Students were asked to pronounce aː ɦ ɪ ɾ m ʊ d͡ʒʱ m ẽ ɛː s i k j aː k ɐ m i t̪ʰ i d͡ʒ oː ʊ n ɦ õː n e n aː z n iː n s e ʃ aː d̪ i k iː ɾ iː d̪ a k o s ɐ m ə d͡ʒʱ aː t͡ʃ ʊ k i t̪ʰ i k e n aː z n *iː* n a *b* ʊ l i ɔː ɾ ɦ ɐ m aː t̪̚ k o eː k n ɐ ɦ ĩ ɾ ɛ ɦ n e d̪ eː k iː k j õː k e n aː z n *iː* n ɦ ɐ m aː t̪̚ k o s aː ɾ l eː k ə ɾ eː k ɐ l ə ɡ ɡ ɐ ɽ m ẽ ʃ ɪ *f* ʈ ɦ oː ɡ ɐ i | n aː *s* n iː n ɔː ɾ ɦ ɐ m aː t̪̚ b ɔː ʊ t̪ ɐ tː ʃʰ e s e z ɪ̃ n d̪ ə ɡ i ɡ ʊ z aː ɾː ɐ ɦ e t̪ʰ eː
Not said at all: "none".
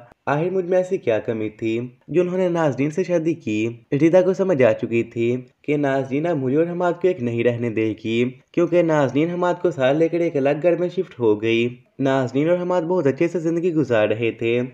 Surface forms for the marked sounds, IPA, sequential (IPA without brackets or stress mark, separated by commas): iː, m, iː, f, z